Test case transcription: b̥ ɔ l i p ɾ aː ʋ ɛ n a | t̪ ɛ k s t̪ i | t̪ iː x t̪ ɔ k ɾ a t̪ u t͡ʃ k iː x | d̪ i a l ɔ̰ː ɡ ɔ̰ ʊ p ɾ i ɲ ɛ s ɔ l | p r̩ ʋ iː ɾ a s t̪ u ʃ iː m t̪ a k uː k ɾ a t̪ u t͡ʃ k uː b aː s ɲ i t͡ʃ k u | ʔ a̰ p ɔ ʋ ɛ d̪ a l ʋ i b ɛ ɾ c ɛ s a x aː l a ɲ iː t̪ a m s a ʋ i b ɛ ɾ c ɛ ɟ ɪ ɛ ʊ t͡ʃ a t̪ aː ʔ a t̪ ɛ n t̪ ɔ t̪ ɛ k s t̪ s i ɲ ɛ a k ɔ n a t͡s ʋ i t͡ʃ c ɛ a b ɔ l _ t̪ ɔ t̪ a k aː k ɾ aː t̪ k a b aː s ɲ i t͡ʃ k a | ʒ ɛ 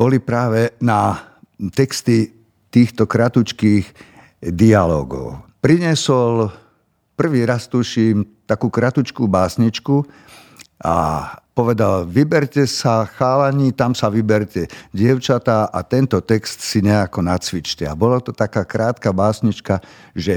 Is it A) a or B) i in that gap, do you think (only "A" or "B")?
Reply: A